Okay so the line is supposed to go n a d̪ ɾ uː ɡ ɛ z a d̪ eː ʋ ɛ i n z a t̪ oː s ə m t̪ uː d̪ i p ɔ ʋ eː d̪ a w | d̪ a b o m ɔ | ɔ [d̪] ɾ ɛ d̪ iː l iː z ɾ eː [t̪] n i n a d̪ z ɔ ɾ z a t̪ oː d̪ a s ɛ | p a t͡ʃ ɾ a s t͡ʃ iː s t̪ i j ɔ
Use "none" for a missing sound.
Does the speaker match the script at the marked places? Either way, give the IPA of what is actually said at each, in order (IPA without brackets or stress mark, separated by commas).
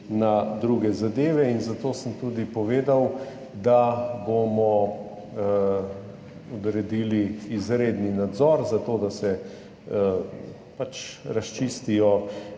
d̪, d̪